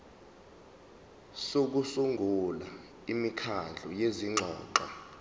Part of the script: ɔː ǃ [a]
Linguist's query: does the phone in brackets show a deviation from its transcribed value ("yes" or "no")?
no